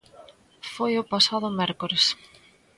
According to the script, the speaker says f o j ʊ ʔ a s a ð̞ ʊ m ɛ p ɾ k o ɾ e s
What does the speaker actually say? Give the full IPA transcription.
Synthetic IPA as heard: f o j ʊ p a s a ð̞ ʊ m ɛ ɾ k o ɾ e s